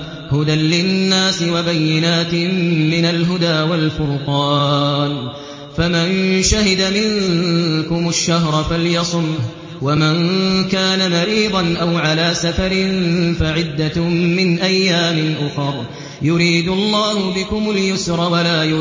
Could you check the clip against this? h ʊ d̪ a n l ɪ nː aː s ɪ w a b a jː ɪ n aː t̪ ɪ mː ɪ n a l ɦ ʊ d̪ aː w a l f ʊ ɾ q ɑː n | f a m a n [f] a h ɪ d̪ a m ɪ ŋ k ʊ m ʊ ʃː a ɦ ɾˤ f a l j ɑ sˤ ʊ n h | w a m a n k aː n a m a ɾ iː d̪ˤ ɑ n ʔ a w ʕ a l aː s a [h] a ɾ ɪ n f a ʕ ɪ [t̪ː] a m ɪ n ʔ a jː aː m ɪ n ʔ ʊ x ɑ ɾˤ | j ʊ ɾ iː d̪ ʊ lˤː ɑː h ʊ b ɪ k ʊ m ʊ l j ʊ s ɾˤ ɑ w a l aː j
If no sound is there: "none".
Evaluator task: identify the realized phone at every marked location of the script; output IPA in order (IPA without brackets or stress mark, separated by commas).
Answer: ʃ, f, d̪ː